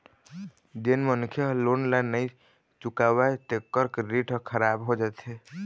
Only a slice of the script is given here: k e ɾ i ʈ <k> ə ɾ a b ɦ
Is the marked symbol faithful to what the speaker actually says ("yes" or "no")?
no